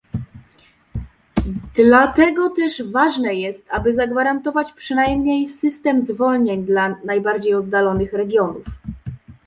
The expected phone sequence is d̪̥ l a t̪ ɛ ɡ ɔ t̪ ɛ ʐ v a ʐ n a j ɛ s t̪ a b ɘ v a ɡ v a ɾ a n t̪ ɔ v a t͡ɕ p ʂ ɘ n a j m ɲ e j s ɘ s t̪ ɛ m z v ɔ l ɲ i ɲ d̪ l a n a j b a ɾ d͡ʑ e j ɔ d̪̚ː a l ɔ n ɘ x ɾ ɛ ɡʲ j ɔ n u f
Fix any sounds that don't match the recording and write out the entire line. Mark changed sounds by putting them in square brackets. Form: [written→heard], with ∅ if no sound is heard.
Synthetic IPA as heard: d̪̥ l a t̪ ɛ ɡ ɔ t̪ ɛ ʐ v a ʐ n [a→ɛ] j ɛ s t̪ a b ɘ [v→z] a ɡ v a ɾ a n t̪ ɔ v a t͡ɕ p ʂ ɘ n a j m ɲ e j s ɘ s t̪ ɛ m z v ɔ l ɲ [i→e] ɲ d̪ l a n a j b a ɾ d͡ʑ e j ɔ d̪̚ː a l ɔ n ɘ x ɾ ɛ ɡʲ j ɔ n u f